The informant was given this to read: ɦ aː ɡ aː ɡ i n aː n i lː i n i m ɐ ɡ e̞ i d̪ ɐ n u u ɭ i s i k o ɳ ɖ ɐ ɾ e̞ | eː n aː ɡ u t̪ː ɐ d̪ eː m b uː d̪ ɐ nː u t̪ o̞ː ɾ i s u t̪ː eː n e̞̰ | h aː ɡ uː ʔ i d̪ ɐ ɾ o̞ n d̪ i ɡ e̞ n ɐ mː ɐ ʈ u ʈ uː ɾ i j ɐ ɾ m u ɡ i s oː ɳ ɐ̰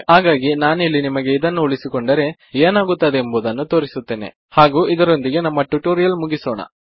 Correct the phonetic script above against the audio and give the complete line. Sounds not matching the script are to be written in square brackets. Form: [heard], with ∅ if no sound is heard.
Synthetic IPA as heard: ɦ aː ɡ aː ɡ i n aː n i lː i n i m ɐ ɡ e̞ i d̪ ɐ [nː] u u ɭ i s i k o ɳ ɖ ɐ ɾ e̞ | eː n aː ɡ u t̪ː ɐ d̪ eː m b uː d̪ ɐ nː u t̪ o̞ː ɾ i s u t̪ː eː n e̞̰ | h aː ɡ uː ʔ i d̪ ɐ ɾ o̞ n d̪ i ɡ e̞ n ɐ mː ɐ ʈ u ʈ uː ɾ i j ɐ [l] m u ɡ i s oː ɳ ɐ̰